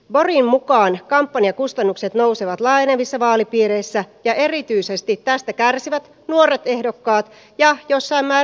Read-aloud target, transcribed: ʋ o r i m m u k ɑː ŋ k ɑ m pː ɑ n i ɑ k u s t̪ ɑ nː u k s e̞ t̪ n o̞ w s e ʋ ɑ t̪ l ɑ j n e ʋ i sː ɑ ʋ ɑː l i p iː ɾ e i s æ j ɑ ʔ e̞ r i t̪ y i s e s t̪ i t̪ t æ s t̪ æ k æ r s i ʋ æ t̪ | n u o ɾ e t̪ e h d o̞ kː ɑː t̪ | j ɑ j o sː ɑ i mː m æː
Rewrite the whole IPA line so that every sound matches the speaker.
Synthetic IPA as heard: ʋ o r i m m u k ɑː n k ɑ m pː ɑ n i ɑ k u s t̪ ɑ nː u k s e̞ t̪ n o̞ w s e ʋ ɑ t̪ l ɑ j n e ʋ i sː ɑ ʋ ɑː l i p iː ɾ e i sː æ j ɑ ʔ e̞ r i t̪ y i s e s t̪ i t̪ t æ s t̪ æ k æ r s i ʋ æ t̪ | n u o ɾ e t̪ e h d o̞ kː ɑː t̪ | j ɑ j o sː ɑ i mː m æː